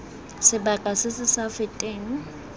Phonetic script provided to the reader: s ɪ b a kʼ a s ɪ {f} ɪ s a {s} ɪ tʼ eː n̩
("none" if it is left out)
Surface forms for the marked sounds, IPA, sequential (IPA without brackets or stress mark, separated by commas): s, f